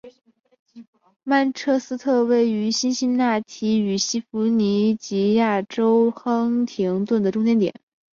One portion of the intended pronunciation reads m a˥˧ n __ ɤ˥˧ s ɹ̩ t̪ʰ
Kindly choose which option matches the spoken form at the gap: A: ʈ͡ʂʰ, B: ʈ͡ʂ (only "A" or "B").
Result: A